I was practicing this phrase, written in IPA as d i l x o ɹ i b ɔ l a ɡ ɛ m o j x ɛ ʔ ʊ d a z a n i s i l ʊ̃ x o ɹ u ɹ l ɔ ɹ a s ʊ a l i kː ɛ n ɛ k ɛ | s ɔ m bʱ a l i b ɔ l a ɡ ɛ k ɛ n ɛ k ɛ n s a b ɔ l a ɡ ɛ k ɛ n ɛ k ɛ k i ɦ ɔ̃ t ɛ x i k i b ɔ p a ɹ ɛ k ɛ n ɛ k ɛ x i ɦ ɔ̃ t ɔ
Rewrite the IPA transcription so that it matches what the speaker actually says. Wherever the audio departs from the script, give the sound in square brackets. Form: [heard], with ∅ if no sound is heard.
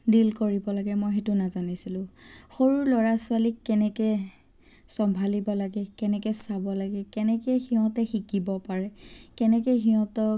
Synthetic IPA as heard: d i l [k] o ɹ i b ɔ l a ɡ ɛ m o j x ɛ [t] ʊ [n] a z a n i s i l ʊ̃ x o ɹ u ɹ l ɔ ɹ a s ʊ a l i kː ɛ n ɛ k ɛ | s ɔ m bʱ a l i b ɔ l a ɡ ɛ k ɛ n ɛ k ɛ [∅] s a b ɔ l a ɡ ɛ k ɛ n ɛ k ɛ [x] i ɦ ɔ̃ t ɛ x i k i b ɔ p a ɹ ɛ k ɛ n ɛ k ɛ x i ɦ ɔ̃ t ɔ